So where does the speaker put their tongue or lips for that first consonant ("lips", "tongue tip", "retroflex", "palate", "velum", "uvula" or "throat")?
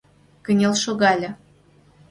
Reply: velum